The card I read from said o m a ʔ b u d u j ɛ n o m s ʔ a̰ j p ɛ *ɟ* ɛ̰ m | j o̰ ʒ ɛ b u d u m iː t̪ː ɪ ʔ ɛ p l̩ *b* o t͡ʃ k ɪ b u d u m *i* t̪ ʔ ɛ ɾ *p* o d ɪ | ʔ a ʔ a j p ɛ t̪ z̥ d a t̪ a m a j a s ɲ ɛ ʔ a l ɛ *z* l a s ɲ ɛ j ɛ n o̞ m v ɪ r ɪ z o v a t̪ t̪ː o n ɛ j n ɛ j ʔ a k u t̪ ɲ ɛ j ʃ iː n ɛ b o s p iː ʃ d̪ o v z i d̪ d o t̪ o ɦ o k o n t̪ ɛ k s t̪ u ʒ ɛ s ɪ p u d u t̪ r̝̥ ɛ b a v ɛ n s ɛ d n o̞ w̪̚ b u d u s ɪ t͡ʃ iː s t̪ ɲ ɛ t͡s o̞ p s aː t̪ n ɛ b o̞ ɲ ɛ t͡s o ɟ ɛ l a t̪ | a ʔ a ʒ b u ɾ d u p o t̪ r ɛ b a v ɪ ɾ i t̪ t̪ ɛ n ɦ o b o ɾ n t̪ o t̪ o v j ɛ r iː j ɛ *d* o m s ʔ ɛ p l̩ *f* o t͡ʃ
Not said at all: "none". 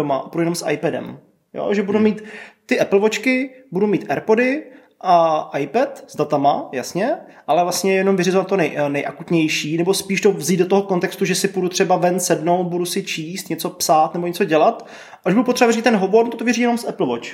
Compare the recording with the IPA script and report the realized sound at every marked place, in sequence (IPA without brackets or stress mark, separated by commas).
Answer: d, v, iː, p, v, n, v